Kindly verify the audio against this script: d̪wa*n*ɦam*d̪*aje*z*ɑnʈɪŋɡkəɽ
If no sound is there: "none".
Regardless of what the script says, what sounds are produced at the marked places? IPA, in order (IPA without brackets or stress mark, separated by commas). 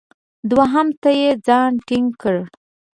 none, t̪, d͡z